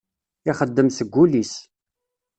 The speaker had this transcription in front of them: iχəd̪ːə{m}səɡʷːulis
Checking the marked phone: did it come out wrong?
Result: no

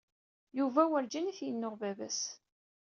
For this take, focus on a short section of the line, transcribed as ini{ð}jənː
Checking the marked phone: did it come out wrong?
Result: yes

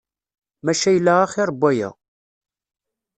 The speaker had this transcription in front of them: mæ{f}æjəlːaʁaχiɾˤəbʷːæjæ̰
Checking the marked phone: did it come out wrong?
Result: yes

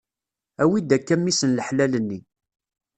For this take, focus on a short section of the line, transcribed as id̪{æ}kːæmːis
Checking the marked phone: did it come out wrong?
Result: no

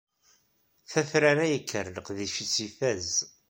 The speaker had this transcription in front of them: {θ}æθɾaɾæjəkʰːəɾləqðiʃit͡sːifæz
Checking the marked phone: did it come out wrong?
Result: no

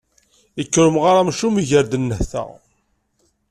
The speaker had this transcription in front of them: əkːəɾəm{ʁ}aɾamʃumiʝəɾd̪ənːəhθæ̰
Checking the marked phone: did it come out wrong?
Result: no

